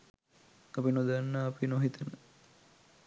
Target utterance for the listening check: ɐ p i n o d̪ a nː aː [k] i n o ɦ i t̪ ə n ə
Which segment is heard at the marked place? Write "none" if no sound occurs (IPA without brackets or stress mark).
p